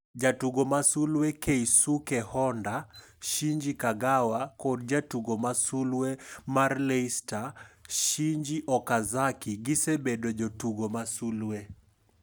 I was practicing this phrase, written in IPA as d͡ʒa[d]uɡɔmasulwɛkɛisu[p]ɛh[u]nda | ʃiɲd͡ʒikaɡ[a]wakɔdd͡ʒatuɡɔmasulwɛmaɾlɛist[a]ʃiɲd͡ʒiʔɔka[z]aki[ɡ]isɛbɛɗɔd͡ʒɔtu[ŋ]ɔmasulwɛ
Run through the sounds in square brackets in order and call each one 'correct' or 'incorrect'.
incorrect: t, incorrect: k, incorrect: ɔ, correct, correct, correct, correct, incorrect: ɡ

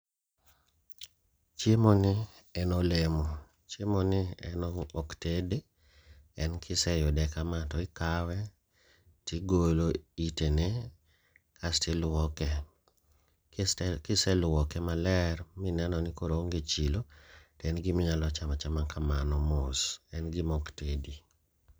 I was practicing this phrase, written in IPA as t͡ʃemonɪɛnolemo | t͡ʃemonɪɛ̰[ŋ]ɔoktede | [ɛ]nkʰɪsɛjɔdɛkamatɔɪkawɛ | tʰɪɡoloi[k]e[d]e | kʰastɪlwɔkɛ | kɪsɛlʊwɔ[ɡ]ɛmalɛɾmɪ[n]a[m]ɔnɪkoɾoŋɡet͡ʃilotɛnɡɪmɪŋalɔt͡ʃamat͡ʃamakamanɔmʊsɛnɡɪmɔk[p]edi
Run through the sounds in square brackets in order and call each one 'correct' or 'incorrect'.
incorrect: n, correct, incorrect: t, incorrect: n, incorrect: k, correct, incorrect: n, incorrect: t

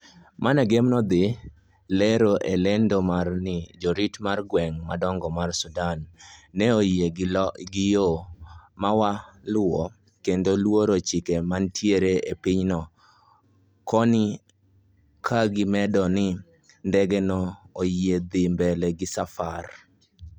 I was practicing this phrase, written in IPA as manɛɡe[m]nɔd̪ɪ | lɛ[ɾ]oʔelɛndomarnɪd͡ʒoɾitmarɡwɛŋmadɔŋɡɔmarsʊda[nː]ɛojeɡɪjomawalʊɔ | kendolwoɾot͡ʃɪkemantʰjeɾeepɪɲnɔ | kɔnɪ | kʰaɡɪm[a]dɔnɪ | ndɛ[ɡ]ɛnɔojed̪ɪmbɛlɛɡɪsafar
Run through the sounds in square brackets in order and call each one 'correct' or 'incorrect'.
correct, correct, correct, incorrect: ɛ, correct

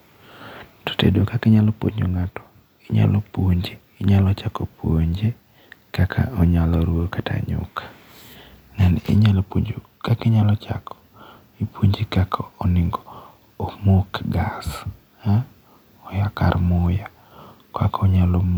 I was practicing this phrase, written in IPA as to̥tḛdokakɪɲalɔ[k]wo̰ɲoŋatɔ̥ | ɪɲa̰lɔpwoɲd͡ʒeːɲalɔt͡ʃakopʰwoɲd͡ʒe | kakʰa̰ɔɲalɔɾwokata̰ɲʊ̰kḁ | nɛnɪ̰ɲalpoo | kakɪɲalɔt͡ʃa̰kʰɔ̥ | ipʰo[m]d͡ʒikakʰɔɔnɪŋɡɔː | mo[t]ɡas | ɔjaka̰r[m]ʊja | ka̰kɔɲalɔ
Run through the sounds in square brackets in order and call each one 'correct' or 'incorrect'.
incorrect: p, incorrect: ɲ, incorrect: k, correct

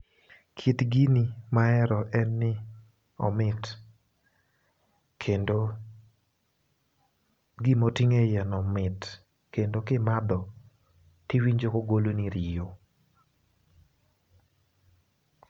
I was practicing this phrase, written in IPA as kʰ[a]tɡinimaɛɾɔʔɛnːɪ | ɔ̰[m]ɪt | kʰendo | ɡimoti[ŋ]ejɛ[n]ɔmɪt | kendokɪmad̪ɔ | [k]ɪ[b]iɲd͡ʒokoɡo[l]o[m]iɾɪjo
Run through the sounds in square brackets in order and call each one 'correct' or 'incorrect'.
incorrect: i, correct, correct, correct, incorrect: t, incorrect: w, correct, incorrect: n

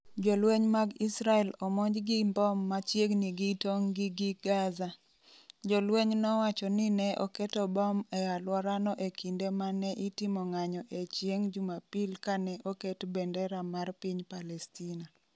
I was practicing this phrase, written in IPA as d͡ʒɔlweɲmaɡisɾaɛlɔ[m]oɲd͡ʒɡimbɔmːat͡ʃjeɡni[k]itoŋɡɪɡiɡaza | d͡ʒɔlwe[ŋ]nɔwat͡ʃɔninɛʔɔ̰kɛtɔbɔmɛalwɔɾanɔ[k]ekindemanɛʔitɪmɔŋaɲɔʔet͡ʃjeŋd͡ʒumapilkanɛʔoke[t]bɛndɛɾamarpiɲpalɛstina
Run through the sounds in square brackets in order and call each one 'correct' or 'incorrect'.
correct, incorrect: ɡ, incorrect: ɲ, incorrect: ʔ, correct

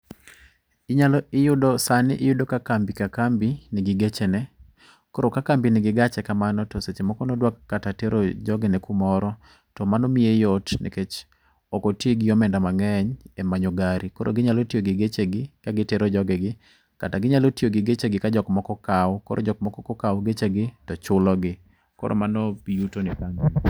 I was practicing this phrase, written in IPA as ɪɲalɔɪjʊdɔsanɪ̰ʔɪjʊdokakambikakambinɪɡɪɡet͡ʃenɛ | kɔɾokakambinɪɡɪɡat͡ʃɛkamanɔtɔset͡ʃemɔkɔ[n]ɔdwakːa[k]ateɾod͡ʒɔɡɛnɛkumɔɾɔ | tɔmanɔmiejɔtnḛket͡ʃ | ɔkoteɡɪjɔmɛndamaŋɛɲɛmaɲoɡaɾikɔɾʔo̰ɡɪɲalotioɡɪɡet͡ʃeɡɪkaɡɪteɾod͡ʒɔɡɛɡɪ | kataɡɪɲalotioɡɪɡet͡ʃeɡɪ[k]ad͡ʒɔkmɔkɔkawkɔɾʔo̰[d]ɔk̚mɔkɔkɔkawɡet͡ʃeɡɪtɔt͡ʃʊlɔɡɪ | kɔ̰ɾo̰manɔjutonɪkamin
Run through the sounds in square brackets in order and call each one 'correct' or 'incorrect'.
correct, incorrect: t, correct, incorrect: d͡ʒ

